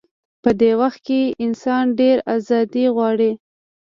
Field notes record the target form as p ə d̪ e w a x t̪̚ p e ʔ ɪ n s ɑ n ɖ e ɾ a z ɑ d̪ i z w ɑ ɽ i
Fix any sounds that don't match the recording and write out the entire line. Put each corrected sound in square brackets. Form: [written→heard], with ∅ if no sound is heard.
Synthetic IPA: p ə d̪ e w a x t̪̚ [p→k] e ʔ ɪ n s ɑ n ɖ e ɾ a z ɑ d̪ i [z→ɣ] w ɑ ɽ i